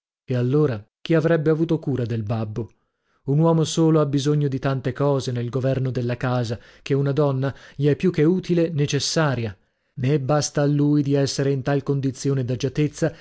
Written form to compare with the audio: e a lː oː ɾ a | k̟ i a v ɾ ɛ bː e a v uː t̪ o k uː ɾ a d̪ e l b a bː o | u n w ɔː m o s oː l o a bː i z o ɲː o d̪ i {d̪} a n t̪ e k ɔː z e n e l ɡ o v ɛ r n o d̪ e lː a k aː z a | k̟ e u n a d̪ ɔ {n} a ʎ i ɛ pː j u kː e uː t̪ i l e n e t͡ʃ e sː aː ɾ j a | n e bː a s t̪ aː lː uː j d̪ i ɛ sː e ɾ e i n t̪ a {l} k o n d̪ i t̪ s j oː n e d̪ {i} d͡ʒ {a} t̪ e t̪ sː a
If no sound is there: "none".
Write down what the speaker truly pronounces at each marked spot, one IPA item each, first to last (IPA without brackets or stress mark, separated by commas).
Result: t̪, nː, l, a, a